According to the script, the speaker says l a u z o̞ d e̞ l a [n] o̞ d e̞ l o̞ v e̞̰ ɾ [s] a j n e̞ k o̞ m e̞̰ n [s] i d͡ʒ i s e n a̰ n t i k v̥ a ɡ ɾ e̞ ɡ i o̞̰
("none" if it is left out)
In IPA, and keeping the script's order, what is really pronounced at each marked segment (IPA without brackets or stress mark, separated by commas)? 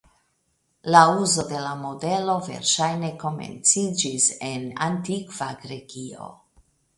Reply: m, ʃ, t͡s